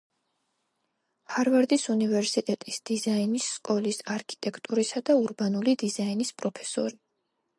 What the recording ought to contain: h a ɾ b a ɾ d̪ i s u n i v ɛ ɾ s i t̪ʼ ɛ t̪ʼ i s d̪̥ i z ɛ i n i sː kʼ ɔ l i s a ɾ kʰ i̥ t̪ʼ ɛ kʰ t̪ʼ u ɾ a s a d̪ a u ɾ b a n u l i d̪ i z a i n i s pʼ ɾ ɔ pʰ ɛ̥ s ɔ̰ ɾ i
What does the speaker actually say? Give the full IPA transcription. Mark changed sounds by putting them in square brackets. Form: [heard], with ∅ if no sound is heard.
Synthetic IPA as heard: h a ɾ [v] a ɾ d̪ i s u n i v ɛ ɾ s i t̪ʼ ɛ t̪ʼ i s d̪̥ i z [a] i n i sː kʼ ɔ l i s a ɾ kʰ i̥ t̪ʼ ɛ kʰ t̪ʼ u ɾ [i] s a d̪ a u ɾ b a n u l i d̪ i z a i n i s pʼ ɾ ɔ pʰ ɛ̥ s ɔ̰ ɾ i